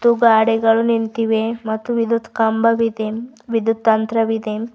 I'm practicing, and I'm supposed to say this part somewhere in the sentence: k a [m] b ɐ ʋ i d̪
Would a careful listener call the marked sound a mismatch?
no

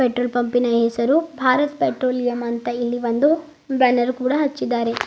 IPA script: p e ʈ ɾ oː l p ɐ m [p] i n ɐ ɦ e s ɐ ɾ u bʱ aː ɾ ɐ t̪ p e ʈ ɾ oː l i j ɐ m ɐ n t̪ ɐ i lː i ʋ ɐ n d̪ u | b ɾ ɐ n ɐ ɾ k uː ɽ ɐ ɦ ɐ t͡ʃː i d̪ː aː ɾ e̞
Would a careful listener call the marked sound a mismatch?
no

